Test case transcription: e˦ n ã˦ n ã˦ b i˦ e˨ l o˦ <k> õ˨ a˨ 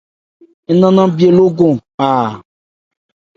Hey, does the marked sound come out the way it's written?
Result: no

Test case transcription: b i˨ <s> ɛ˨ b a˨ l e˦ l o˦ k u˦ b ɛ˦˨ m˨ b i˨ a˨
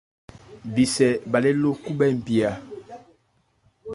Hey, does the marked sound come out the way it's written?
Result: yes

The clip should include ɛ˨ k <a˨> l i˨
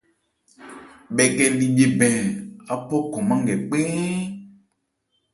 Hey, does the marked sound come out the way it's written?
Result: no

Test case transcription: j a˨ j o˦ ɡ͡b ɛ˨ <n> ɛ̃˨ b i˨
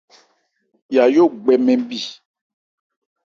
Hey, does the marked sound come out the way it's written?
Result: no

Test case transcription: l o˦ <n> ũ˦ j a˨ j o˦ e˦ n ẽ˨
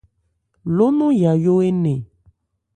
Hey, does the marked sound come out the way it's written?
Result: yes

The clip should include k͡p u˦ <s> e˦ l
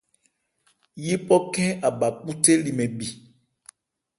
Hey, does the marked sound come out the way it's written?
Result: no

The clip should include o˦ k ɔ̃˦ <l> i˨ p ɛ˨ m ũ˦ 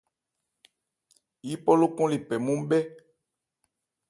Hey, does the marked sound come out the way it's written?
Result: yes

